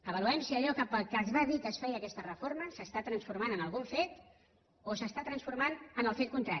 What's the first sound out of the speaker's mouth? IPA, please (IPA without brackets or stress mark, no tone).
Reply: ə